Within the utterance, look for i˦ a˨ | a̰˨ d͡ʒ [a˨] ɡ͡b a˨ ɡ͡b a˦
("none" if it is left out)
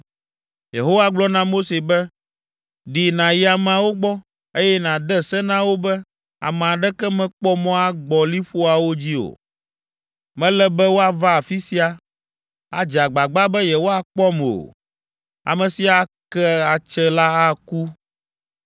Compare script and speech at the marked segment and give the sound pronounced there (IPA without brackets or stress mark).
a˨